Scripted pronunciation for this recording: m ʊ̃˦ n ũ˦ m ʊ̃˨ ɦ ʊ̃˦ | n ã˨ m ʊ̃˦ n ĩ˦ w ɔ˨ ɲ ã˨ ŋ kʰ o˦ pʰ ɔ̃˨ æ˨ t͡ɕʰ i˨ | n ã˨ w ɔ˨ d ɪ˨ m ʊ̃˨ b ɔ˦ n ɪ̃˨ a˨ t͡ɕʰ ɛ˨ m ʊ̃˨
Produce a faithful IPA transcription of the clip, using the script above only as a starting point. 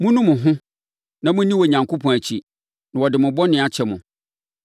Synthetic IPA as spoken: m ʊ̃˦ n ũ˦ m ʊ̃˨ ɦ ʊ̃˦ | n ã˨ m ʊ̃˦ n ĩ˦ w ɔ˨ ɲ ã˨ ŋ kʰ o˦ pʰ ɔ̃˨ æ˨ t͡ɕʰ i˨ | n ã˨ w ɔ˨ d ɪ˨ m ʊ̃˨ b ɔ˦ n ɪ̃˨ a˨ t͡ɕʰ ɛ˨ m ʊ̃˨